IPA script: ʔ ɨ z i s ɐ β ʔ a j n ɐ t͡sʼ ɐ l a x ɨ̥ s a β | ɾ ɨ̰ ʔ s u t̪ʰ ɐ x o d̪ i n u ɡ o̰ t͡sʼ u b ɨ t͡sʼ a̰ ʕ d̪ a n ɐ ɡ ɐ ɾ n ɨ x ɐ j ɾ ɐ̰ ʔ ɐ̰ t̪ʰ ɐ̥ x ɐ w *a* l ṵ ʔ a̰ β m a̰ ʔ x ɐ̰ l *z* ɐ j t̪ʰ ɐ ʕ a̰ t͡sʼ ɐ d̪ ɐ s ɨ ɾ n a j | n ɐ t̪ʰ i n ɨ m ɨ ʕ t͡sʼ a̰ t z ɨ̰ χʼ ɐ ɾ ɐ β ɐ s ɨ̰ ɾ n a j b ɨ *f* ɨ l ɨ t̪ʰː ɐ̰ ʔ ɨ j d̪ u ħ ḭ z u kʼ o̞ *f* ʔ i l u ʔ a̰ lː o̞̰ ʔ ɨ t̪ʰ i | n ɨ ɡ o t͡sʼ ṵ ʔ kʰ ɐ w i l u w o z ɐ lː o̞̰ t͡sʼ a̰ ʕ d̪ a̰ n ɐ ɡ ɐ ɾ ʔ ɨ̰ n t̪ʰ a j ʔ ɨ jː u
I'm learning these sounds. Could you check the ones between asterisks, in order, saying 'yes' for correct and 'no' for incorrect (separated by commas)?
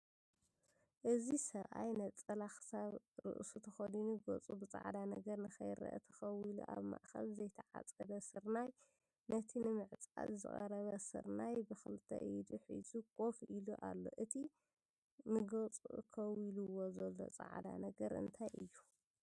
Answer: no, yes, no, yes